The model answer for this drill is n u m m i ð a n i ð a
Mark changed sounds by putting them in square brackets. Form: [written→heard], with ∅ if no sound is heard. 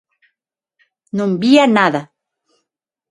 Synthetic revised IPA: n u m [m→b] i [ð→∅] a n [i→a] ð a